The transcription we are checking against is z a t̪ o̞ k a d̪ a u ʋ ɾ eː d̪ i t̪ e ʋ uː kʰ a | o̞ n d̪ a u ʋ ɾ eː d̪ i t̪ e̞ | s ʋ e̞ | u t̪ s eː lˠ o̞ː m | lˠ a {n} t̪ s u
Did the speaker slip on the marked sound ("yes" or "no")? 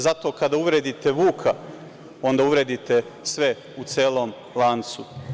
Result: no